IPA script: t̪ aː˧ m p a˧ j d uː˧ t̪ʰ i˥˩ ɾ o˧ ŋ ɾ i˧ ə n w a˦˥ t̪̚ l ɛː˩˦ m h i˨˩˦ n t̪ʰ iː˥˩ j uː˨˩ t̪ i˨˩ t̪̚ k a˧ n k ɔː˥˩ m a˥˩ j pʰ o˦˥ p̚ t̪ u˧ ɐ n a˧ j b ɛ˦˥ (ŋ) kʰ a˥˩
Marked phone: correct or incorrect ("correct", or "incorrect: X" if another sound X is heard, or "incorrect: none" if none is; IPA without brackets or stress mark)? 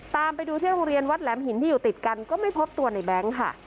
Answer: correct